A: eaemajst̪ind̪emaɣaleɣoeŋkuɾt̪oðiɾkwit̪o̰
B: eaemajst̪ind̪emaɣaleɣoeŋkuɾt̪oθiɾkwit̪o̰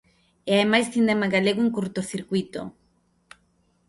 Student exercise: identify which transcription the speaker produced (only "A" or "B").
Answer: B